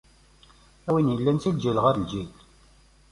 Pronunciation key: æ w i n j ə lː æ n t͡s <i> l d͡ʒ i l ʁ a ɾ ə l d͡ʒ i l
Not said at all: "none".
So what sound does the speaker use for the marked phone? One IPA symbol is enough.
i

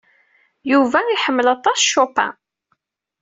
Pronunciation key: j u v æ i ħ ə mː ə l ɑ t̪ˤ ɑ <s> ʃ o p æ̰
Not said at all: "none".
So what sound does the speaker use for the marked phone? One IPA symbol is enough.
s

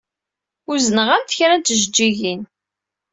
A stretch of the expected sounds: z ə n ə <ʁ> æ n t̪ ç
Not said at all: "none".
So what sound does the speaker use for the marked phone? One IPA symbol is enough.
ʁ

